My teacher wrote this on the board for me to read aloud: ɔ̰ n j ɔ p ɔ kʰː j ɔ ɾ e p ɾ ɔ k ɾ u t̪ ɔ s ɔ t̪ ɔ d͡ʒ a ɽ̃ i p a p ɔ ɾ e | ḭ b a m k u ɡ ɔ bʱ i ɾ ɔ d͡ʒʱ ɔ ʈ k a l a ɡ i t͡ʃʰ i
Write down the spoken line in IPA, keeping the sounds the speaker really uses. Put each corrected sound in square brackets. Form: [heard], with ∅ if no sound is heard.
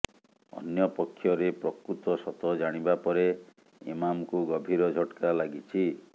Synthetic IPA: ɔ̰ n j ɔ p ɔ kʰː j ɔ ɾ e p ɾ ɔ k ɾ u t̪ ɔ s ɔ t̪ ɔ d͡ʒ a ɽ̃ i [b] a p ɔ ɾ e | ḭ [m] a m k u ɡ ɔ bʱ i ɾ ɔ d͡ʒʱ ɔ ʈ k a l a ɡ i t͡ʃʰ i